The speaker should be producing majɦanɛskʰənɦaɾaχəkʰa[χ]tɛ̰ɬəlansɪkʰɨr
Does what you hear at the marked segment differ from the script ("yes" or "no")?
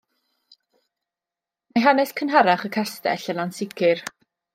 yes